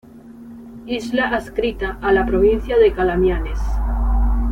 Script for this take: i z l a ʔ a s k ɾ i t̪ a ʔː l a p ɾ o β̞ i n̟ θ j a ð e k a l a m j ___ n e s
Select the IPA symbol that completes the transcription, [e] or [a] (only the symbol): a